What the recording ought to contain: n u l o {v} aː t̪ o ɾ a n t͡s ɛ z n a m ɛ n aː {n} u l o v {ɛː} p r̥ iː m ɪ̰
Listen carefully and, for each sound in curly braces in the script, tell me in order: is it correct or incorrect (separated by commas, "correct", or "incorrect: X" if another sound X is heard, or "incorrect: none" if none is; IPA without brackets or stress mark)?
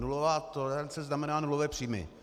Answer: correct, correct, correct